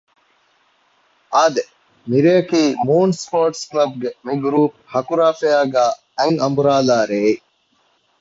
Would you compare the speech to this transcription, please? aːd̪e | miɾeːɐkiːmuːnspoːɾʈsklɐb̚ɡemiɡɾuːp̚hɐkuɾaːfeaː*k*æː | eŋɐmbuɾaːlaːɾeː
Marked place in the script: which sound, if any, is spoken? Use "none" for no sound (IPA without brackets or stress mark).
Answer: ɡ